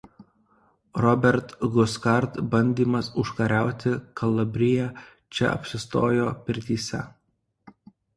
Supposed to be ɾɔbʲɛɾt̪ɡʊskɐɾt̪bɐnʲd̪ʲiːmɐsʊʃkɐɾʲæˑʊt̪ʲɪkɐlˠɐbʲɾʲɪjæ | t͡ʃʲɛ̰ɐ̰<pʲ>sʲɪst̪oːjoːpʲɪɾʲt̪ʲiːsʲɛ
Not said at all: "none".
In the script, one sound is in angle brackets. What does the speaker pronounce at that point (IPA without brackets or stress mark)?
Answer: pʲ